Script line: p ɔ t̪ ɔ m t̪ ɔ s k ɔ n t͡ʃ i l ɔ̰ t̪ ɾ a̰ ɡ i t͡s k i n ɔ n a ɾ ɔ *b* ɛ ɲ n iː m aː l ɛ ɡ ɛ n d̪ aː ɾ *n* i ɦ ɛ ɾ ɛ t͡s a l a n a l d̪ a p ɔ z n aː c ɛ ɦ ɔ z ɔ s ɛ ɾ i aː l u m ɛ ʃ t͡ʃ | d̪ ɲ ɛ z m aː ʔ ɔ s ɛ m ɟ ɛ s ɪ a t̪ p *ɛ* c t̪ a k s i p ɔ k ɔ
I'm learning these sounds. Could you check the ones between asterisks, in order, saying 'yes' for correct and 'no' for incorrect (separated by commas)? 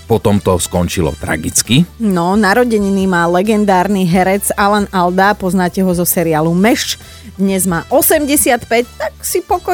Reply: no, yes, yes